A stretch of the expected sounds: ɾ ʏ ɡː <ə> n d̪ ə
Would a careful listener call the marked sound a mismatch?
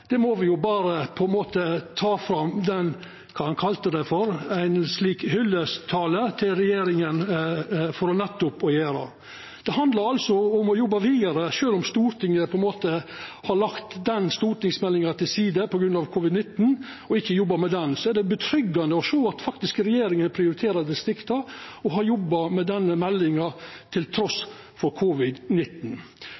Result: yes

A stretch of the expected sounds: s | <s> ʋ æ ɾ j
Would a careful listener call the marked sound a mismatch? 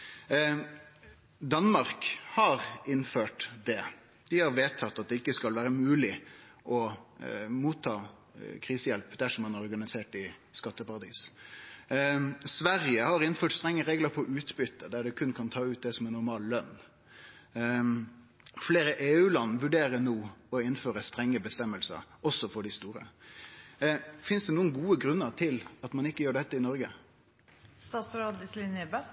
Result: no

